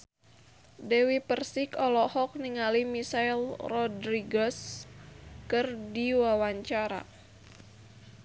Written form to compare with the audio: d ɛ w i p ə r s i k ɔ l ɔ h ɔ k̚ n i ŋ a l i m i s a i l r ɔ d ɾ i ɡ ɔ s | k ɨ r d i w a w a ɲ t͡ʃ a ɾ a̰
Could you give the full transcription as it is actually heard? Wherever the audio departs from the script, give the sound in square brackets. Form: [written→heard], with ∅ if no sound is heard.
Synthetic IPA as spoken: d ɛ w i p ə r s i k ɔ l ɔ h ɔ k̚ n i ŋ a l i m i s a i l r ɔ d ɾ i ɡ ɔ s | k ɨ r d i w a w a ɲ t͡ʃ a ɾ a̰